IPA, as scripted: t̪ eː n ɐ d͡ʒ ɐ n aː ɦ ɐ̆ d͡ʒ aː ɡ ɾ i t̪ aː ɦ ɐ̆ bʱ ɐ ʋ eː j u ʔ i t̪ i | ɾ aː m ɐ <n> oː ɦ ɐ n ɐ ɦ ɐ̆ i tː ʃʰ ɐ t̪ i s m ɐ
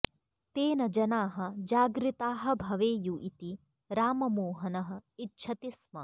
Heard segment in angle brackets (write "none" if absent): m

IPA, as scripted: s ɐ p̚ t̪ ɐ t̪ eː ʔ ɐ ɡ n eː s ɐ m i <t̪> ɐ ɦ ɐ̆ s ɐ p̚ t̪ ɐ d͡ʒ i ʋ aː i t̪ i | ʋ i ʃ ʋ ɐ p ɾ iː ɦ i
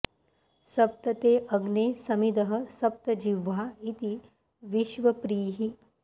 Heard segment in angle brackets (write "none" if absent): d̪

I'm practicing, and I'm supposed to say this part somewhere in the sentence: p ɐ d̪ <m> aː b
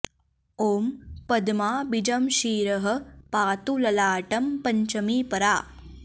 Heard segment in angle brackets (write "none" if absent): m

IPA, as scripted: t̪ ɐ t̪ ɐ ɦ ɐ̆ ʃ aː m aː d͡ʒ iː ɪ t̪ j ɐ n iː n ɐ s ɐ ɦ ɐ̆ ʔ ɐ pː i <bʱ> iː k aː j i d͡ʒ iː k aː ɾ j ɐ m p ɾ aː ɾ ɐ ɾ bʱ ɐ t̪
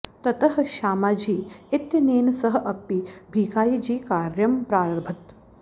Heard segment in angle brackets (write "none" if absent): bʱ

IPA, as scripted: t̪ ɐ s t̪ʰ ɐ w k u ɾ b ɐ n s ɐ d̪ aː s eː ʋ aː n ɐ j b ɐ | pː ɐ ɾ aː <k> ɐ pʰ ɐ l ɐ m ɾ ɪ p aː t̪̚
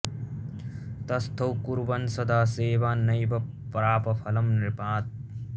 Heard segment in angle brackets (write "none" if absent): p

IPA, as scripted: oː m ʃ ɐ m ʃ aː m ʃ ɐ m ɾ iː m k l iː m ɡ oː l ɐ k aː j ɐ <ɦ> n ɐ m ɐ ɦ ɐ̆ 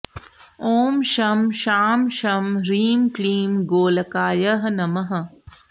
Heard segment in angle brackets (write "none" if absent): ɦ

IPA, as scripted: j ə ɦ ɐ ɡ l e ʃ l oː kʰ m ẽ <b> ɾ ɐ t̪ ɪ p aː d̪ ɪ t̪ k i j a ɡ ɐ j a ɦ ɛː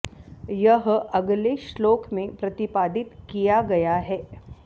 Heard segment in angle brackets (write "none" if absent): p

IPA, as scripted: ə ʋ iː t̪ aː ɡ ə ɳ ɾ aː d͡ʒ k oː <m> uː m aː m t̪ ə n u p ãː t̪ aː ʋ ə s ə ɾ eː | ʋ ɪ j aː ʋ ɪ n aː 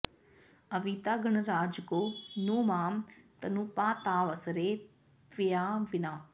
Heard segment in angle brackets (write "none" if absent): n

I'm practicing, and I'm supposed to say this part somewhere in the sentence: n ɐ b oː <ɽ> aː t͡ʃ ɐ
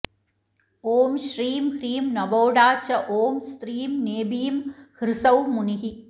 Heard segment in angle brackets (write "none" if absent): ɽ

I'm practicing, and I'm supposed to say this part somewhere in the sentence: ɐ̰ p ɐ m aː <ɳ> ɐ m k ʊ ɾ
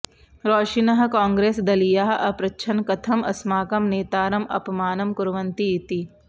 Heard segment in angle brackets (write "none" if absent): n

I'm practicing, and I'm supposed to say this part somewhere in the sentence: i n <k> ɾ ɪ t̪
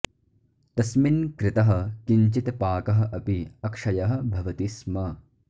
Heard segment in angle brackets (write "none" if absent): k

